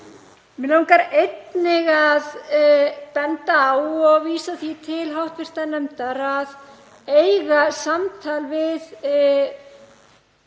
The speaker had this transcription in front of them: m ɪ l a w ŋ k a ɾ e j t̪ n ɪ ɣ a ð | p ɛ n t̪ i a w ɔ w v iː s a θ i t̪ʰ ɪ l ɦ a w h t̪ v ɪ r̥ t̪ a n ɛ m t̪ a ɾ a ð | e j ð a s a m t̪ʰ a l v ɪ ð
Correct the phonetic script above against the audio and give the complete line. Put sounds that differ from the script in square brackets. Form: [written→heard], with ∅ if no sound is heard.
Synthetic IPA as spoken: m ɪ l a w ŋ k a ɾ e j t̪ n ɪ ɣ a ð | p ɛ n t̪ [i→a] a w ɔ [w→ɣ] v iː s a θ i t̪ʰ ɪ l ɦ a w h t̪ v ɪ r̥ t̪ a n ɛ m t̪ a ɾ a ð | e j [ð→ɣ] a s a m t̪ʰ a l v ɪ ð